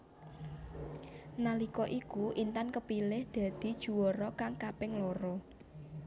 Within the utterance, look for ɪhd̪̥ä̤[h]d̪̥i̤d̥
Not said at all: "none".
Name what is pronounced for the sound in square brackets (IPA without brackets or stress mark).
none